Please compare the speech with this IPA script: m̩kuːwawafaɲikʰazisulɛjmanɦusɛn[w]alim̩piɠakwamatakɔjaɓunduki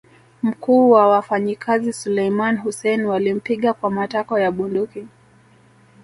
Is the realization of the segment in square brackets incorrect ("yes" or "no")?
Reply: no